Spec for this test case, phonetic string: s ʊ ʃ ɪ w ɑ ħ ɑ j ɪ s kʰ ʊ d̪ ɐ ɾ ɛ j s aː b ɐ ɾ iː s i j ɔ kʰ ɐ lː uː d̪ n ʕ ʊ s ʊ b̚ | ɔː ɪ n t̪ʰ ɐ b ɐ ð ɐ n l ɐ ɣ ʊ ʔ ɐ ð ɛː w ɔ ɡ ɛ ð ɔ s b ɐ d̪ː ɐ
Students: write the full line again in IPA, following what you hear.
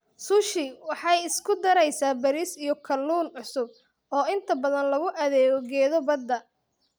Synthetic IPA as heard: s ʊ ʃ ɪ w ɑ ħ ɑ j ɪ s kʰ ʊ d̪ ɐ ɾ ɛ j s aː b ɐ ɾ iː s i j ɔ kʰ ɐ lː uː n ʕ ʊ s ʊ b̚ | ɔː ɪ n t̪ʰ ɐ b ɐ ð ɐ n l ɐ ɣ ʊ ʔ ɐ ð ɛː ɣ ɔ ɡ ɛː ð ɔ b ɐ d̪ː ɐ